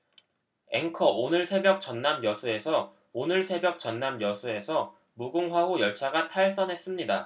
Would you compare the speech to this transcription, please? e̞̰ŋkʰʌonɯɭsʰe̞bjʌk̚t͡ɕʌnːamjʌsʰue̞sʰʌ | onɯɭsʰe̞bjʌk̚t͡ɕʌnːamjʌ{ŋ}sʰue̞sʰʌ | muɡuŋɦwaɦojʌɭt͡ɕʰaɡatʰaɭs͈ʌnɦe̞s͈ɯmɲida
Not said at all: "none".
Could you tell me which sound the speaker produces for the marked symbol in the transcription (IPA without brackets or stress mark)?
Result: none